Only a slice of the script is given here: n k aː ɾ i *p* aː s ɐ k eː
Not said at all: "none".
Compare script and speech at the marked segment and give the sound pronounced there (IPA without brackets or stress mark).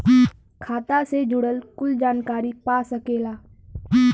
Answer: p